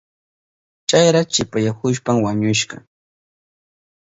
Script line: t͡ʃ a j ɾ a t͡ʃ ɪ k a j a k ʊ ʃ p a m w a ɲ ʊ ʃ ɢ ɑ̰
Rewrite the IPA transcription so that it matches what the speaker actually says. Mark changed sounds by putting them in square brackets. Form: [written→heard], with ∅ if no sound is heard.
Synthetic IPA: t͡ʃ a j ɾ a t͡ʃ ɪ [k→p] a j a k ʊ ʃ p a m w a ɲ ʊ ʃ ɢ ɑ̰